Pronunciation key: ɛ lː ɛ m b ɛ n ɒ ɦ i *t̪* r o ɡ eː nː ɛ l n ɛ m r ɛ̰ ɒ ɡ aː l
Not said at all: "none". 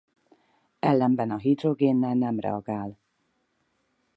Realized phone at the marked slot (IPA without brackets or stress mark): d̪